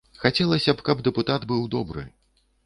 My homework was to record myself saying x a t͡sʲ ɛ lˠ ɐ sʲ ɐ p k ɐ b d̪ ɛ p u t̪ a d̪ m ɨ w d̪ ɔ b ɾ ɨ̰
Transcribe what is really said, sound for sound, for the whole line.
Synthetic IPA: x a t͡sʲ ɛ lˠ ɐ sʲ ɐ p k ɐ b d̪ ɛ p u t̪ a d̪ b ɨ w d̪ ɔ b ɾ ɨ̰